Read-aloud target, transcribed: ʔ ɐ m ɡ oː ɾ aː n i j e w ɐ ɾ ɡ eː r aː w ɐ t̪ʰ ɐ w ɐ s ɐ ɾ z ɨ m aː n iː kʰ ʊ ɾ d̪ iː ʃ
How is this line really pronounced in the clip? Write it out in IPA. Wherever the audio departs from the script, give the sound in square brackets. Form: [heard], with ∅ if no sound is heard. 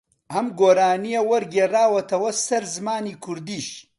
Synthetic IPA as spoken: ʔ ɐ m ɡ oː ɾ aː n i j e w ɐ ɾ ɡ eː r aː w ɐ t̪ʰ ɐ w ɐ s ɐ ɾ z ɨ m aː n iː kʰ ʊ ɾ d̪ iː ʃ